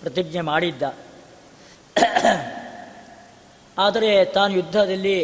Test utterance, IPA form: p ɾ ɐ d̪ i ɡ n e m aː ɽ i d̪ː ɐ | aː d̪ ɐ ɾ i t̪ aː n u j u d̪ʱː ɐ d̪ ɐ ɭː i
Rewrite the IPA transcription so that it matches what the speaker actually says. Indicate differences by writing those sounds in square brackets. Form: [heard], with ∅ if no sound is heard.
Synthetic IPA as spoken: p ɾ ɐ [t̪] i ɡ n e m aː ɽ i d̪ː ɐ | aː d̪ ɐ ɾ [e] t̪ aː n u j u d̪ʱː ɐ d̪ ɐ [lː] i